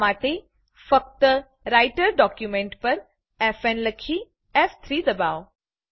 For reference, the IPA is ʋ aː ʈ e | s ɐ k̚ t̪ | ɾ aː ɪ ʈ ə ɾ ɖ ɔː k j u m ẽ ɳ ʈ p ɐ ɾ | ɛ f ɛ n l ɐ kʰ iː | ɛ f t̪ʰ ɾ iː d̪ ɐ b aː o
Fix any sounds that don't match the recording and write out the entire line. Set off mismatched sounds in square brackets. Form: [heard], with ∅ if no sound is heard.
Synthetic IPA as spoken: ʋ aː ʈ e | [f] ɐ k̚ t̪ | ɾ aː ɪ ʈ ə ɾ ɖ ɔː k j u m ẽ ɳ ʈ p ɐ ɾ | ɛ f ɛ n l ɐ kʰ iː | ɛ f t̪ʰ ɾ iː d̪ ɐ b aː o